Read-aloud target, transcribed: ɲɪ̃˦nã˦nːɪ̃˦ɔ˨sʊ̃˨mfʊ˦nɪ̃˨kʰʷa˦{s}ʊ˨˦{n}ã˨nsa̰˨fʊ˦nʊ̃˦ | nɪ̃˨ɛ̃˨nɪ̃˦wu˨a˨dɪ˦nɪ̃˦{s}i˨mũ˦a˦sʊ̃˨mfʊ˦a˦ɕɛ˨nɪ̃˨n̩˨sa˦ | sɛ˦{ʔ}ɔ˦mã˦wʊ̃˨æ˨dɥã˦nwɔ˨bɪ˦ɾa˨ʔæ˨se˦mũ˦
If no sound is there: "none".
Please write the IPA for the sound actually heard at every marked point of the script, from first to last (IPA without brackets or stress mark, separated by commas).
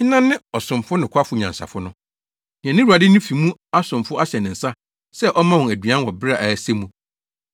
f, ɲ, f, ʔ